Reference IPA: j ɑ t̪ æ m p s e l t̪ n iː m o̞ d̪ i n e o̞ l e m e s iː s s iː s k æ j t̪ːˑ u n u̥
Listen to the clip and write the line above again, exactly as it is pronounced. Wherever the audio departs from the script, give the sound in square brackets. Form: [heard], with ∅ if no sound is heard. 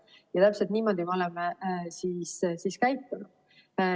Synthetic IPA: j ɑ t̪ æ [∅] p s e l t̪ n iː m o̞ d̪ i [m] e o̞ l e m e s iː s s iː s k æ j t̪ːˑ u n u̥